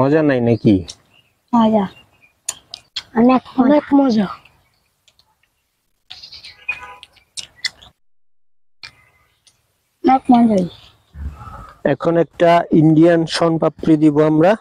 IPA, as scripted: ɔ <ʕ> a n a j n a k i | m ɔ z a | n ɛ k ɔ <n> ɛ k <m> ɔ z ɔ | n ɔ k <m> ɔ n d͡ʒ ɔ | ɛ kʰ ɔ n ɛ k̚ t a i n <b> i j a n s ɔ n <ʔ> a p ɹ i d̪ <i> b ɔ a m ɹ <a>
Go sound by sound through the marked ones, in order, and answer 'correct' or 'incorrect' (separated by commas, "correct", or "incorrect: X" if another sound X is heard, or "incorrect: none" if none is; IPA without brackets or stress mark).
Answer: incorrect: z, correct, correct, correct, incorrect: d, incorrect: p, correct, correct